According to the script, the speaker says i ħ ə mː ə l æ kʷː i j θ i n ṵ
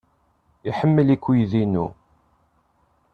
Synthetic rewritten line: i ħ ə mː ə l i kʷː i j ð i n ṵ